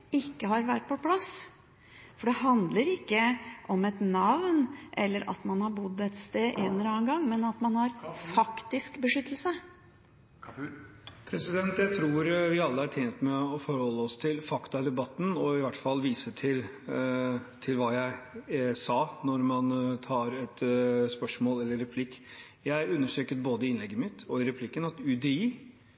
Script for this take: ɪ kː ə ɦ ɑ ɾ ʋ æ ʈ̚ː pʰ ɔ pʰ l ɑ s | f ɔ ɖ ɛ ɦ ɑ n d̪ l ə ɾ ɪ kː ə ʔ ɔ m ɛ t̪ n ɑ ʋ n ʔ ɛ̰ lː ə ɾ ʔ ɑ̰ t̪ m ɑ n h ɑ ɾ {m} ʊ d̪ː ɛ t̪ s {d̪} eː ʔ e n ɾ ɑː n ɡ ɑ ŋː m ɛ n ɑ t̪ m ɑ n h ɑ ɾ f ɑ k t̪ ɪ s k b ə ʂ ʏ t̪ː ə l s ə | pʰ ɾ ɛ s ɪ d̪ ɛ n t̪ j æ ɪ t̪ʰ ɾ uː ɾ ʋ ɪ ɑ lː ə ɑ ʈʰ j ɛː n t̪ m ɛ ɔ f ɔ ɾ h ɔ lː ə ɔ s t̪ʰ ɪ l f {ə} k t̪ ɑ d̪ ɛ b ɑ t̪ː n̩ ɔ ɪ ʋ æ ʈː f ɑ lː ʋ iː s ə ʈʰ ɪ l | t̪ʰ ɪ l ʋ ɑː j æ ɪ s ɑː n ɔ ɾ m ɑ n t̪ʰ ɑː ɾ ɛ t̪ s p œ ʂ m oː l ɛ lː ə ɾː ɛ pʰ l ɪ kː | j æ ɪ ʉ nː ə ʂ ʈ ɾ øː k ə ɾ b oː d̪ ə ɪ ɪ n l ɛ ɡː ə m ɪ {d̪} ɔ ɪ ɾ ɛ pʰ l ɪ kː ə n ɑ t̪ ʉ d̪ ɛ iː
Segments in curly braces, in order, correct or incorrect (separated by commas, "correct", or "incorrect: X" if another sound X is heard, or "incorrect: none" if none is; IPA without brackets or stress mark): incorrect: b, incorrect: t̪, incorrect: ɑ, incorrect: t̪